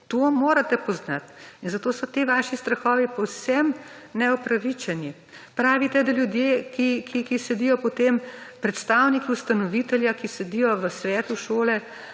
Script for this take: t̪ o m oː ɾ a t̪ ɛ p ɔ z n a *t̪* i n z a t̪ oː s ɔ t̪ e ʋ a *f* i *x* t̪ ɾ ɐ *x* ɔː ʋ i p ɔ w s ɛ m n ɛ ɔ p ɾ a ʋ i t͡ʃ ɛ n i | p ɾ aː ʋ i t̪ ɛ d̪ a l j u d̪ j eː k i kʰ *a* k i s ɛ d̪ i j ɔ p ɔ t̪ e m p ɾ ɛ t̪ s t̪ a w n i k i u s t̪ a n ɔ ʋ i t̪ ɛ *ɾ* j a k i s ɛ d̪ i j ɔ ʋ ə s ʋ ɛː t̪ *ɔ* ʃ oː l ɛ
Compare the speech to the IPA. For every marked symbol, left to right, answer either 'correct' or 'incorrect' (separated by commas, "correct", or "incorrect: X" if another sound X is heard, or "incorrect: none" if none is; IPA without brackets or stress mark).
correct, incorrect: ʃ, incorrect: s, correct, incorrect: i, incorrect: l, incorrect: u